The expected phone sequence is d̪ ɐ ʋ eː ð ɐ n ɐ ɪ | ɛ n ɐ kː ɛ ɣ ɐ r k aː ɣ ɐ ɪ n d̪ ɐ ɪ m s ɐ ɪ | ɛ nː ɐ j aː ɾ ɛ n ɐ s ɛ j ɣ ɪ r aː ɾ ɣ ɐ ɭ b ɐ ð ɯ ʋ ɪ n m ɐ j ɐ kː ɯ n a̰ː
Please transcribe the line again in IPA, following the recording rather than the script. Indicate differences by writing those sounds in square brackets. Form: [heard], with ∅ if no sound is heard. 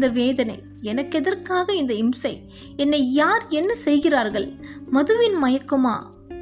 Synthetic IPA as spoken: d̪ ɐ ʋ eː ð ɐ n ɐ ɪ | ɛ n ɐ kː ɛ [ð] ɐ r k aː ɣ ɐ ɪ n d̪ ɐ ɪ m s ɐ ɪ | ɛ nː ɐ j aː ɾ ɛ [nː] ɐ s ɛ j ɣ ɪ r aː ɾ ɣ ɐ ɭ [m] ɐ ð ɯ ʋ ɪ n m ɐ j ɐ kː ɯ [m] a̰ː